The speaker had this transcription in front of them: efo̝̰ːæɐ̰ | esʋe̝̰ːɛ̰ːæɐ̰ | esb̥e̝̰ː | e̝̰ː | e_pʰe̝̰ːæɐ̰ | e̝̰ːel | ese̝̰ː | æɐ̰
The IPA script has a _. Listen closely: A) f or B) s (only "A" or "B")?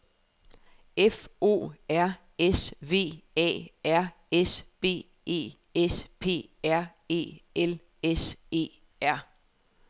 B